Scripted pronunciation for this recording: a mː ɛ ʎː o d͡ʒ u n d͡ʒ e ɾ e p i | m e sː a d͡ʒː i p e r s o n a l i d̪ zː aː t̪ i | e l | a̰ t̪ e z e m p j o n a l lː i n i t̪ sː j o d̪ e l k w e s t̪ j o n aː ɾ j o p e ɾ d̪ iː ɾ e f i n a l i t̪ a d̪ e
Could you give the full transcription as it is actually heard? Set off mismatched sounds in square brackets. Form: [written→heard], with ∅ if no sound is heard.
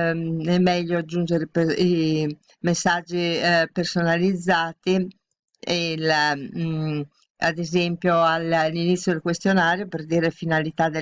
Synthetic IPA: [a→ɛ] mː ɛ ʎː o d͡ʒ u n d͡ʒ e ɾ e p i | m e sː a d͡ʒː i p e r s o n a l i d̪ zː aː t̪ i | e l | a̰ [t̪→d̪] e z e m p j o [n→∅] a l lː i n i t̪ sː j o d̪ e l k w e s t̪ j o n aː ɾ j o p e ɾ d̪ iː ɾ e f i n a l i t̪ a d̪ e

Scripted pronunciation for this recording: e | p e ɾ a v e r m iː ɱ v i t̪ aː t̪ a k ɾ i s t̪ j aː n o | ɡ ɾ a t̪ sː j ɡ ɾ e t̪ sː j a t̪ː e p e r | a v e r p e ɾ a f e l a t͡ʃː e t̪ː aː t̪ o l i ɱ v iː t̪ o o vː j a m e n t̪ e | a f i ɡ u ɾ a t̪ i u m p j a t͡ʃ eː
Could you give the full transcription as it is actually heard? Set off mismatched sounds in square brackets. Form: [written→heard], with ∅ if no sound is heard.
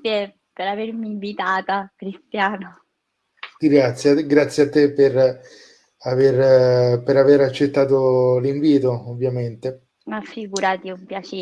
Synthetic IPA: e | p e ɾ a v e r m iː ɱ v i t̪ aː t̪ a k ɾ i s t̪ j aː n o | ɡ ɾ a t̪ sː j ɡ ɾ [e→a] t̪ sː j a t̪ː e p e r | a v e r p e ɾ a [f→v] e [l→ɾ] a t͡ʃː e t̪ː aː t̪ o l i ɱ v iː t̪ o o vː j a m e n t̪ e | a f i ɡ u ɾ a t̪ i u m p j a t͡ʃ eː

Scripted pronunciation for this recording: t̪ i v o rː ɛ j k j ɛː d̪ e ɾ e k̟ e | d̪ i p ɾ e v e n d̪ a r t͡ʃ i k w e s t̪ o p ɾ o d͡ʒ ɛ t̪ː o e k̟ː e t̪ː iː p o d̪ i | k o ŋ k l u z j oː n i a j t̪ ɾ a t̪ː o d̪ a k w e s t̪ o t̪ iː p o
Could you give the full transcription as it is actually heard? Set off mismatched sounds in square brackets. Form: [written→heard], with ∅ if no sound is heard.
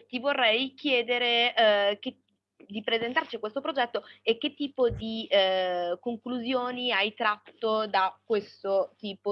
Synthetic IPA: t̪ i v o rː ɛ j k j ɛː d̪ e ɾ e k̟ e | d̪ i p ɾ e [v→z] e n [d̪→t̪] a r t͡ʃ i k w e s t̪ o p ɾ o d͡ʒ ɛ t̪ː o e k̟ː e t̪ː iː p o d̪ i | k o ŋ k l u z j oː n i a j t̪ ɾ a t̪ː o d̪ a k w e s t̪ o t̪ iː p o

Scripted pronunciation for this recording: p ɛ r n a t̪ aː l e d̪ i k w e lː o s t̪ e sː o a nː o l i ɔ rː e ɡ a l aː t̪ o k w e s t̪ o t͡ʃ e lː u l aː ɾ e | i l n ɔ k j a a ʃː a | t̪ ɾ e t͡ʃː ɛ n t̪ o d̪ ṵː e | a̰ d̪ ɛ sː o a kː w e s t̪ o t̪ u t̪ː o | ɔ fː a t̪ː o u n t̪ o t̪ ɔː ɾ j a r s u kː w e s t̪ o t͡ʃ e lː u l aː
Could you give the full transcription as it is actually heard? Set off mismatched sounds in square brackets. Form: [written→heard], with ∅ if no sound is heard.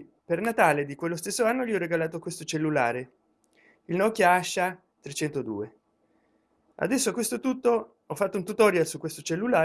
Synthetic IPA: p [ɛ→e] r n a t̪ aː l e d̪ i k w e lː o s t̪ e sː o a nː o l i ɔ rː e ɡ a l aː t̪ o k w e s t̪ o t͡ʃ e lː u l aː ɾ e | i l n ɔ k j a a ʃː a | t̪ ɾ e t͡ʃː ɛ n t̪ o d̪ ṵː e | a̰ d̪ ɛ sː o a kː w e s t̪ o t̪ u t̪ː o | ɔ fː a t̪ː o u n t̪ [o→u] t̪ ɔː ɾ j a [r→l] s u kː w e s t̪ o t͡ʃ e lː u l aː

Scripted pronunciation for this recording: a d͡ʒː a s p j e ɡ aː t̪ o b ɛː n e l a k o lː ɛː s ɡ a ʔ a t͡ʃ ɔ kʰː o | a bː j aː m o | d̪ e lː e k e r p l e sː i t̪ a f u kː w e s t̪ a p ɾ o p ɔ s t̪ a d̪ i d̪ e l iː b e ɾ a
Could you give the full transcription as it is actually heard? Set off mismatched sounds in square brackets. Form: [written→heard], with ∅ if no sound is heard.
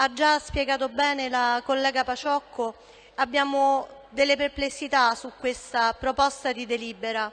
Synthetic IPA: a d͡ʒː a s p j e ɡ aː t̪ o b ɛː n e l a k o lː ɛː [s→∅] ɡ a [ʔ→p] a t͡ʃ ɔ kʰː o | a bː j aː m o | d̪ e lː e [k→p] e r p l e sː i t̪ a [f→s] u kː w e s t̪ a p ɾ o p ɔ s t̪ a d̪ i d̪ e l iː b e ɾ a

